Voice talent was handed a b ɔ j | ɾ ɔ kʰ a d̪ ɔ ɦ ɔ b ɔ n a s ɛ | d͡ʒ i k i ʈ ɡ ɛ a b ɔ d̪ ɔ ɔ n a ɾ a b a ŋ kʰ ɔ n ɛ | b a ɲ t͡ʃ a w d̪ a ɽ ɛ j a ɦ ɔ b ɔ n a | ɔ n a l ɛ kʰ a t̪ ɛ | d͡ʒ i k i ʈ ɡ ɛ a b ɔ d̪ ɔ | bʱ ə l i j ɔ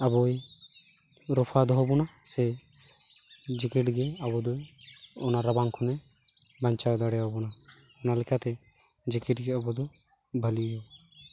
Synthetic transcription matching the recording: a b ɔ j | ɾ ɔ pʰ a d̪ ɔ ɦ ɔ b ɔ n a s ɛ | d͡ʒ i k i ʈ ɡ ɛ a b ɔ d̪ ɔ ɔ n a ɾ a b a ŋ kʰ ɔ n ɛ | b a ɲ t͡ʃ a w d̪ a ɽ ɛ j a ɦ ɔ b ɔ n a | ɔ n a l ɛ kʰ a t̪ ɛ | d͡ʒ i k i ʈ ɡ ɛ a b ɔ d̪ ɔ | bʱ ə l i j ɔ